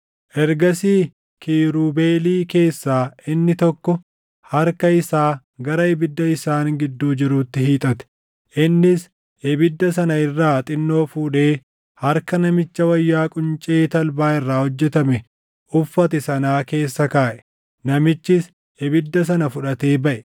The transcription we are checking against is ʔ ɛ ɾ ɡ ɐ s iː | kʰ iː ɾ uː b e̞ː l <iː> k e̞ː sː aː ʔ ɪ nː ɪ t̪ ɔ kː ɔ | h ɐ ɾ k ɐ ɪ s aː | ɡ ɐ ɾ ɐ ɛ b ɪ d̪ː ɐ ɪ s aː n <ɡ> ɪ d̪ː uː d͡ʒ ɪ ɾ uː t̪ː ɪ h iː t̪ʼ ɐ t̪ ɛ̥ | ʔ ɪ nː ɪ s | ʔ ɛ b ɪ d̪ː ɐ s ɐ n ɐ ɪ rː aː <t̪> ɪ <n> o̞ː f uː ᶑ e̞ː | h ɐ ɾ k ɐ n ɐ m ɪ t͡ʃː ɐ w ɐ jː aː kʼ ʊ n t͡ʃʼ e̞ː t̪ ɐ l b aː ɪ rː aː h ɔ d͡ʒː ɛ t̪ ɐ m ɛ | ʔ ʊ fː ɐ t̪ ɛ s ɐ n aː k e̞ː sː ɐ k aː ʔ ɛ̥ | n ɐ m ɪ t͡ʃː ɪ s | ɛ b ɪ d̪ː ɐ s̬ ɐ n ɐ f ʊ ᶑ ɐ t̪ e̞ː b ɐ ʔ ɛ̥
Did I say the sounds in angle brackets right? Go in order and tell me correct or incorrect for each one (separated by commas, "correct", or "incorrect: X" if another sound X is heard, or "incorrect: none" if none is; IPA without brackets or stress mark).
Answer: correct, correct, incorrect: t̪ʼ, incorrect: nː